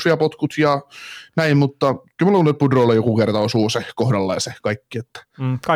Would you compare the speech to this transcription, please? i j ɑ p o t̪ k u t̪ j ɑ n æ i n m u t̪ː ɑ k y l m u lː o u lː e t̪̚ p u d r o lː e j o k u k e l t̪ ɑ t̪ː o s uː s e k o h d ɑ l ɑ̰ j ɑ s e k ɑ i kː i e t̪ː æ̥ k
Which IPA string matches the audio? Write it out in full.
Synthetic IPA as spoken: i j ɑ p o t̪ k u t̪ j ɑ n æ i m m u t̪ː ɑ k y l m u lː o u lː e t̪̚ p u d r o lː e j o k u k e r t̪ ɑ o s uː s e k o h d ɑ lː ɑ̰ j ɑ s e k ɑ i kː i e t̪ː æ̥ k